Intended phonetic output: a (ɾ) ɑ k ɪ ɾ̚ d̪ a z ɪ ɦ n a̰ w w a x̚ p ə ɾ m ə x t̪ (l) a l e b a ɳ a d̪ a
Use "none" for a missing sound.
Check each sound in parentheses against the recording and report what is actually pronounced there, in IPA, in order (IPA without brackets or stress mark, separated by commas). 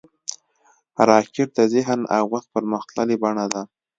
ɾ, l